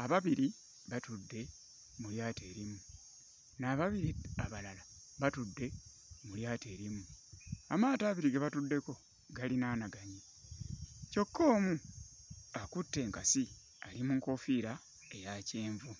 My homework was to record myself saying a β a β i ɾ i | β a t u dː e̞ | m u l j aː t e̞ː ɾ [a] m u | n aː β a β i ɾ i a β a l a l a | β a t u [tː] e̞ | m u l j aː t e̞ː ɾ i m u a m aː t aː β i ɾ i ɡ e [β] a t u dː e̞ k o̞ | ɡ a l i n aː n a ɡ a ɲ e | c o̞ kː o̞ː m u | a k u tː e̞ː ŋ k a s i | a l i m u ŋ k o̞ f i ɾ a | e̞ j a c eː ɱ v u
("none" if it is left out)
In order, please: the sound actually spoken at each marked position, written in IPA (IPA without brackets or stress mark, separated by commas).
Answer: i, dː, β